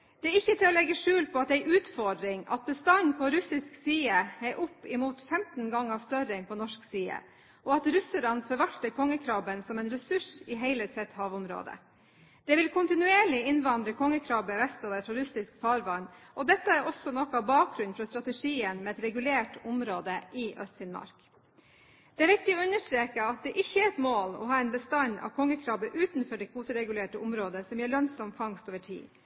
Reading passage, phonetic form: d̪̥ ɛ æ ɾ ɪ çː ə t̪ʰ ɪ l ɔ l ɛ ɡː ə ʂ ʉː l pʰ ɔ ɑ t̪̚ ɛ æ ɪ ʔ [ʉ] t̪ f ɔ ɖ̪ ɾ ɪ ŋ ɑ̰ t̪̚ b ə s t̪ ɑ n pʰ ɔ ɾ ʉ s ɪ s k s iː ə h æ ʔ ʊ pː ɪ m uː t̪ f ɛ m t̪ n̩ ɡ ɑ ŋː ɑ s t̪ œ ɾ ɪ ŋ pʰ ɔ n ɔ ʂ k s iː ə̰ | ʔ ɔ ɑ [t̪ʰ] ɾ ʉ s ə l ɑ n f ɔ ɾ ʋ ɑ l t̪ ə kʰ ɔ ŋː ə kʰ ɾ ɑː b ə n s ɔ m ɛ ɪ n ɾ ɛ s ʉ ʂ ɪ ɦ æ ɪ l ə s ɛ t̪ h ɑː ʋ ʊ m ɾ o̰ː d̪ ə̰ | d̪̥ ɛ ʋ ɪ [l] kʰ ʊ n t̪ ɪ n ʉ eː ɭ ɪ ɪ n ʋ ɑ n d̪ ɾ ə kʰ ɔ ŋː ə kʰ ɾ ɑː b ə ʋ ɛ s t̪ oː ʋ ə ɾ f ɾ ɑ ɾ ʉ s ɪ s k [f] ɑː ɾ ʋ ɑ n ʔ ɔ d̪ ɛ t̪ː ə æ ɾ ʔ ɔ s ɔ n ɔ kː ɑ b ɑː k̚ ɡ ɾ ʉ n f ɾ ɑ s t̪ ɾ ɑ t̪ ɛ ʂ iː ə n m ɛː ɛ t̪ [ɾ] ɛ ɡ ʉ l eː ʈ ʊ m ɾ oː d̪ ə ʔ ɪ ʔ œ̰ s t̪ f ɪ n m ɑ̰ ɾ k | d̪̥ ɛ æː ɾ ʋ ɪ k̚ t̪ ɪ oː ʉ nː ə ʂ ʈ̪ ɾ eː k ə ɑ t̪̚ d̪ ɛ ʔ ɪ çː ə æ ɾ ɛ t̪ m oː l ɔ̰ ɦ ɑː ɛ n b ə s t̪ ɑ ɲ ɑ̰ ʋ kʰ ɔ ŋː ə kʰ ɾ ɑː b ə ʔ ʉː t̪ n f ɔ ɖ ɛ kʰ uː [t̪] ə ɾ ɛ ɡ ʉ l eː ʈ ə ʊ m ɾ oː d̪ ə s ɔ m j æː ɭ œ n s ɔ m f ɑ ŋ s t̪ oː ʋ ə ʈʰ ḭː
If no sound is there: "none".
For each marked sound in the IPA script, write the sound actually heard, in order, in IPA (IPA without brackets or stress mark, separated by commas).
ʉː, t̪, l, f, ɾ, t̪